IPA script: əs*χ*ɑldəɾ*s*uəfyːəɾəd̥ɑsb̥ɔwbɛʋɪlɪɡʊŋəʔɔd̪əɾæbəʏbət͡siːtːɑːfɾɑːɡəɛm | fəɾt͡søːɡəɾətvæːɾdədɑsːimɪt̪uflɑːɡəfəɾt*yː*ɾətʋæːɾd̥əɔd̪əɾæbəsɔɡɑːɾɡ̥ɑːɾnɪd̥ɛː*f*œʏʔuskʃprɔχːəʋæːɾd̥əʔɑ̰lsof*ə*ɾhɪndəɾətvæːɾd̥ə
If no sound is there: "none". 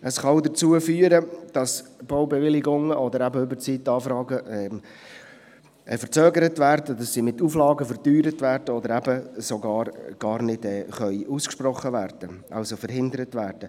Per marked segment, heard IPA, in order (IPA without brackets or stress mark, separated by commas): χ, t͡s, yː, χ, ə